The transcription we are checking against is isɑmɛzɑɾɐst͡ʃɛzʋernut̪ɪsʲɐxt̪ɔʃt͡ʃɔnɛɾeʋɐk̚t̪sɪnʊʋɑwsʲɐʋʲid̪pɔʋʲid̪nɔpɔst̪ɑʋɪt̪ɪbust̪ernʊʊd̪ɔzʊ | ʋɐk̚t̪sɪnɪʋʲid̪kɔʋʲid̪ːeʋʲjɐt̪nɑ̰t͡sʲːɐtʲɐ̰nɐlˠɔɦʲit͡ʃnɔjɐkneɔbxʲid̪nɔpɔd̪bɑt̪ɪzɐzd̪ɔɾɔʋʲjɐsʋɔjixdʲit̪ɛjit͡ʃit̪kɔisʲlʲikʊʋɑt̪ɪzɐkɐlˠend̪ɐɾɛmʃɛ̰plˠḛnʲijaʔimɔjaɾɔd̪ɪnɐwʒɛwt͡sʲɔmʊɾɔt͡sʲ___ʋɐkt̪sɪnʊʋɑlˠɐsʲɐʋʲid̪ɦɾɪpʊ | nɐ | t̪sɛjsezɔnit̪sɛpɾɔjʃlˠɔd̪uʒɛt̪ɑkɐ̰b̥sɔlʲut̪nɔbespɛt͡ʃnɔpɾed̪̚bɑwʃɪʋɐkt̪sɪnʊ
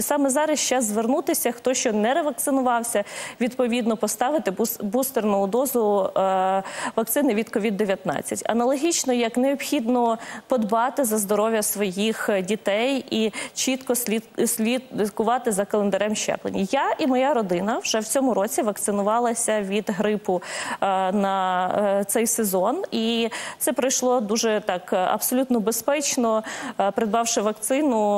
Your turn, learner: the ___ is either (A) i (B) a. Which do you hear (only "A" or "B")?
A